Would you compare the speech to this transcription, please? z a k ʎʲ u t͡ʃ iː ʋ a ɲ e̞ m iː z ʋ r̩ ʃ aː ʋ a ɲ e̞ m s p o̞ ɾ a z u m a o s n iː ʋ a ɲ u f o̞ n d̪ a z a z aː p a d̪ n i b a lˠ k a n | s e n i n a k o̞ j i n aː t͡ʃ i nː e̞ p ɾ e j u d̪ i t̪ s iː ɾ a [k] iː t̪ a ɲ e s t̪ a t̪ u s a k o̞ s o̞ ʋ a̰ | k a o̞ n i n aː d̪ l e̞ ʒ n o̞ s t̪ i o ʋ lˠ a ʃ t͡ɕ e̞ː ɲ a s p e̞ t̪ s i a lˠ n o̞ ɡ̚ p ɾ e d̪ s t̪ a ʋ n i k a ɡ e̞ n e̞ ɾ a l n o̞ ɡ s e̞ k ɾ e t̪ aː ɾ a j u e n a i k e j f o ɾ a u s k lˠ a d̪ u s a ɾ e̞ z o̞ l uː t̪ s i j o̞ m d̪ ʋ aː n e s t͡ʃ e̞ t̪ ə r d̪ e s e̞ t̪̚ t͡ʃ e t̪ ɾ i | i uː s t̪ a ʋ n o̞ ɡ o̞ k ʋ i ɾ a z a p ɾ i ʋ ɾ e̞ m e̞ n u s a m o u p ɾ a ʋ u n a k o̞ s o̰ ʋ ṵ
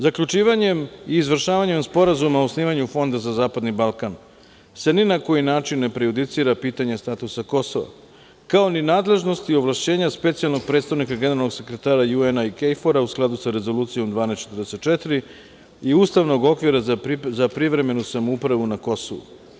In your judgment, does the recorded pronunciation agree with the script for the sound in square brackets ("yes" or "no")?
no